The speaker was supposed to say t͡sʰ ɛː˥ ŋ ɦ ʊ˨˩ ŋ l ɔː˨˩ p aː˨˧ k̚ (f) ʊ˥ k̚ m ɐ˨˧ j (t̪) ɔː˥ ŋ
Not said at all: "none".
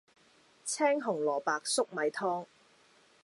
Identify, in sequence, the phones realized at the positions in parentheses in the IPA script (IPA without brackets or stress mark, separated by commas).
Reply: s, t̪ʰ